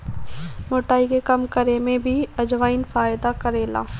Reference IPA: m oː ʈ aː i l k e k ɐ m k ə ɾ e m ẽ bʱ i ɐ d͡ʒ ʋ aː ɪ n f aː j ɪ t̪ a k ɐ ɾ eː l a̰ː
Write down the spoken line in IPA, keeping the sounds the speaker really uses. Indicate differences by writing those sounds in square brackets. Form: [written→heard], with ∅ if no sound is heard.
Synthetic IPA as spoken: m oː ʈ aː i [l→∅] k e k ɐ m k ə ɾ e m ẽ bʱ i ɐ d͡ʒ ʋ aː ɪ n f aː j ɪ [t̪→d̪] a k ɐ ɾ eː l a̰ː